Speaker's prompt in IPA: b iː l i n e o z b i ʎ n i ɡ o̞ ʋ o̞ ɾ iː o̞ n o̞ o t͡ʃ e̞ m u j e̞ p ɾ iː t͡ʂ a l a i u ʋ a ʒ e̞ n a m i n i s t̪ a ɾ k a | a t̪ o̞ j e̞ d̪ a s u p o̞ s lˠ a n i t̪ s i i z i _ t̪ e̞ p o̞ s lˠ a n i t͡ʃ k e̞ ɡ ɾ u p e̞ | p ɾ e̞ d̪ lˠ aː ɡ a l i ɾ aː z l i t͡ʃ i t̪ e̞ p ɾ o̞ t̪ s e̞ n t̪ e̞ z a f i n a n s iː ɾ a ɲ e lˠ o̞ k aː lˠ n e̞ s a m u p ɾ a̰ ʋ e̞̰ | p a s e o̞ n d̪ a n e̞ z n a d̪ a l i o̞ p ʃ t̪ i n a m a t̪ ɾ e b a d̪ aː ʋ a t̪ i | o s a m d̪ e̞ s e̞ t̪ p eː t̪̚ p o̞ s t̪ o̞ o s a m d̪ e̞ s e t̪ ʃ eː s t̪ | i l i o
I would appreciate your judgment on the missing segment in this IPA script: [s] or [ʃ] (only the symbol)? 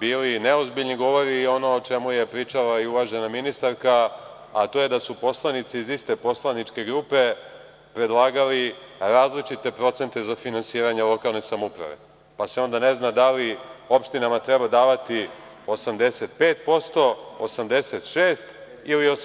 s